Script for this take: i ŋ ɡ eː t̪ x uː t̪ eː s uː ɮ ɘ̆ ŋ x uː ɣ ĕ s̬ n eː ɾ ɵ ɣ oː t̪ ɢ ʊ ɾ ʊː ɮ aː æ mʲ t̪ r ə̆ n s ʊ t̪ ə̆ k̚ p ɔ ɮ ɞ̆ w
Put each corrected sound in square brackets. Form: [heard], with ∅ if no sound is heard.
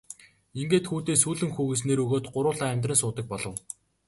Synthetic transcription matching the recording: i ŋ ɡ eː t̪ x uː t̪ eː s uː ɮ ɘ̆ ŋ x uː ɣ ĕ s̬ n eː ɾ ɵ ɣ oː t̪ ɢ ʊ ɾ ʊː ɮ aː æ mʲ t̪ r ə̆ n s [ʊː] t̪ ə̆ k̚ p ɔ ɮ ɞ̆ w